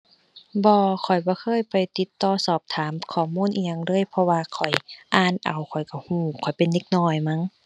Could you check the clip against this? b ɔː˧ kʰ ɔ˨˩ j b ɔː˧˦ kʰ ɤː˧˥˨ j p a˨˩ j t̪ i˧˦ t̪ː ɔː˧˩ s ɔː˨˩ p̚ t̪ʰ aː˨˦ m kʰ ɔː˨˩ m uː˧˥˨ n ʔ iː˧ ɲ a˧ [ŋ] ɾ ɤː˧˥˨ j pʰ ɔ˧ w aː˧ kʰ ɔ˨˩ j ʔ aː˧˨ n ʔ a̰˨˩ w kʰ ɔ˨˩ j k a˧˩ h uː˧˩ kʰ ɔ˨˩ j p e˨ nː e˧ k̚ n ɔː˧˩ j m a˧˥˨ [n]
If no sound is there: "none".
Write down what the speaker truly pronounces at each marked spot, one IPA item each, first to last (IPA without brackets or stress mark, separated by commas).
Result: ŋ, ŋ